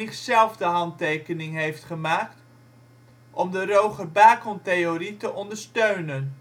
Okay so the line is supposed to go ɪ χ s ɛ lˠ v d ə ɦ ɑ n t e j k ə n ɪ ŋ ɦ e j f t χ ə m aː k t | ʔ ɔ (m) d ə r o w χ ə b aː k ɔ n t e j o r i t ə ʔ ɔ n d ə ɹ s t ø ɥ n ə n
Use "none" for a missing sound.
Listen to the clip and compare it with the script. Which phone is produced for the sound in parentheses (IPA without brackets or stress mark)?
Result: m